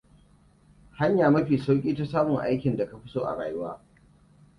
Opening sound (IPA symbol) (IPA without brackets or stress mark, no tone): h